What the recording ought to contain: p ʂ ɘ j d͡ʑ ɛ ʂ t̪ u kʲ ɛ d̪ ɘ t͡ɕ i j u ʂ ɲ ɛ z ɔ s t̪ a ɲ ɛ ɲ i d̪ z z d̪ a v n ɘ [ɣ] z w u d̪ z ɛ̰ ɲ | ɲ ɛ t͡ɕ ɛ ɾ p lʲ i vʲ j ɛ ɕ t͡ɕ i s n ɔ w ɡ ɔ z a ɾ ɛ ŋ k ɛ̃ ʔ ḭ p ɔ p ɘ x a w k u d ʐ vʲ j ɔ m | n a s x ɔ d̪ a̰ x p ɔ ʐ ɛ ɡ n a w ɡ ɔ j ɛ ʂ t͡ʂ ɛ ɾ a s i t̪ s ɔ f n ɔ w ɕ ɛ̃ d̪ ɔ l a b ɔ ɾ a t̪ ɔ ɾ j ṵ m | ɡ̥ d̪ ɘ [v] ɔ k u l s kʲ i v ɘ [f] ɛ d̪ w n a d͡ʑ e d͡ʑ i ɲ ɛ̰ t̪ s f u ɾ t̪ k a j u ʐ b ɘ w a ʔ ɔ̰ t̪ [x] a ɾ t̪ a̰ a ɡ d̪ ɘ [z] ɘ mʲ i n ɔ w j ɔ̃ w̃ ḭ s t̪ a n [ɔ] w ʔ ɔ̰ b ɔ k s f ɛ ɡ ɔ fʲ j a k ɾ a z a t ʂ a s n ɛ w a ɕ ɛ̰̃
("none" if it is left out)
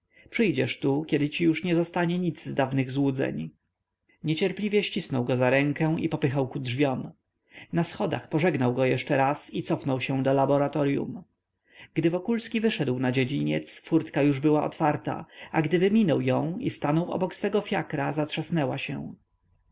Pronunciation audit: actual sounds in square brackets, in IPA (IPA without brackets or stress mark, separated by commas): ɣ, v, ʂ, f, v, ɔ